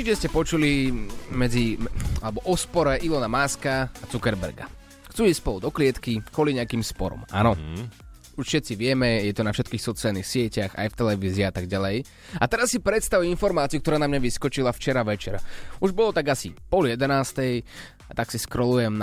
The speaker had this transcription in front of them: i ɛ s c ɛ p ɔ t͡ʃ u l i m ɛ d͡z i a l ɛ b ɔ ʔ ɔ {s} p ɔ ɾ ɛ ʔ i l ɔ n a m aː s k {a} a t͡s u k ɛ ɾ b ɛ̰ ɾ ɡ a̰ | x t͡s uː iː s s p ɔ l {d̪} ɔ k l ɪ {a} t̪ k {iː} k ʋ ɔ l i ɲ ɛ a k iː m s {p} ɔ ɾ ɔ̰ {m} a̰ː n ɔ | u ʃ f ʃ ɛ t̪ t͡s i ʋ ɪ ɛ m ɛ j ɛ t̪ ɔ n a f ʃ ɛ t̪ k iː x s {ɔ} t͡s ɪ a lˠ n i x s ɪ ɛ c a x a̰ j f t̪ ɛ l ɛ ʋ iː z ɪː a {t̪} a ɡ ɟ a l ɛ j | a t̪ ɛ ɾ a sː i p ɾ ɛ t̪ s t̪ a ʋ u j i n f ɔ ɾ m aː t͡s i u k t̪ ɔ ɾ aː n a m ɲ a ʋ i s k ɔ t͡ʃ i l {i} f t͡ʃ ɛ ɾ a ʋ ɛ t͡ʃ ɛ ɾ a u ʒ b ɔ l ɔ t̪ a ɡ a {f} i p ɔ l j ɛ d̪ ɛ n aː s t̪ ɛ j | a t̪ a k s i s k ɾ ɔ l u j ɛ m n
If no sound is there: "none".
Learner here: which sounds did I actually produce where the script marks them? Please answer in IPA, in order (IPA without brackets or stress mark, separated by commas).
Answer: s, a, d̪, ɛ, i, p, m, ɔ, t̪, a, s